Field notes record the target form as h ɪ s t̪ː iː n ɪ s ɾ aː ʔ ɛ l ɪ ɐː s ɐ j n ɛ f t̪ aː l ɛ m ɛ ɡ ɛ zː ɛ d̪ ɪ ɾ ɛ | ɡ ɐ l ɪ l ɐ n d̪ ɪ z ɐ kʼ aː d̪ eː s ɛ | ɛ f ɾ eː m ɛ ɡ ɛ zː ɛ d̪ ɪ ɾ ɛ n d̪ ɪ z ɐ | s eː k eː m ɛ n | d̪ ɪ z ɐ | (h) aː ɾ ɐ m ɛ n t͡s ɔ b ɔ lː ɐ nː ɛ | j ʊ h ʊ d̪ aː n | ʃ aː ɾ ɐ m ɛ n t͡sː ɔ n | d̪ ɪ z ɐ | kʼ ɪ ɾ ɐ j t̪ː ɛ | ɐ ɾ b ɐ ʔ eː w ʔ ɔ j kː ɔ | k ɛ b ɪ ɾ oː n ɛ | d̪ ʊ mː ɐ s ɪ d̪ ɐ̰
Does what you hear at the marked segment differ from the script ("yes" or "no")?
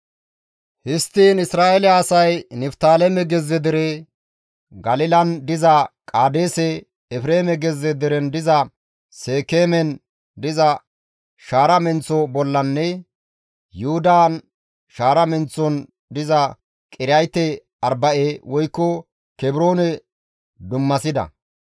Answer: yes